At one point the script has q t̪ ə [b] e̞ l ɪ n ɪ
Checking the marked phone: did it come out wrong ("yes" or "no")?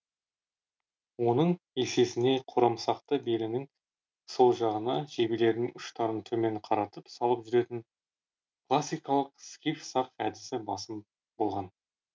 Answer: no